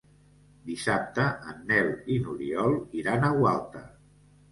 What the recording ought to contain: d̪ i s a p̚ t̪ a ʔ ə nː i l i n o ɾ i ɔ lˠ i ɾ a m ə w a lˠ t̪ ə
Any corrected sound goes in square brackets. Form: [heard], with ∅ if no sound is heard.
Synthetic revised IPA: d̪ i s a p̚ t̪ [ə] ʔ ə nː [ɛ] l i n [u] ɾ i ɔ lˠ i ɾ a [n] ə w a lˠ t̪ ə